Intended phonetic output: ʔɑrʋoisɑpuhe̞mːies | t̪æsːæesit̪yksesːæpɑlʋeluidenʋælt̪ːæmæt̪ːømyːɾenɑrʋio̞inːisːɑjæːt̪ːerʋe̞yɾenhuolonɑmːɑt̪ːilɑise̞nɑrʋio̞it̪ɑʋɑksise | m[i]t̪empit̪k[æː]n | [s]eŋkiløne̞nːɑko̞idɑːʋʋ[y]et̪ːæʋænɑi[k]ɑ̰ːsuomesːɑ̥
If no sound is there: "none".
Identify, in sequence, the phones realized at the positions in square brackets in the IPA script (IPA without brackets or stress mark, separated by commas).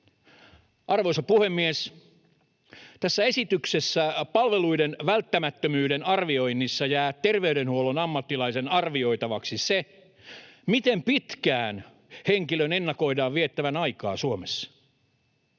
i, æː, h, i, k